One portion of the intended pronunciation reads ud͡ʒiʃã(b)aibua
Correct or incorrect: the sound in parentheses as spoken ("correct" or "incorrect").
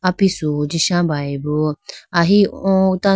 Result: correct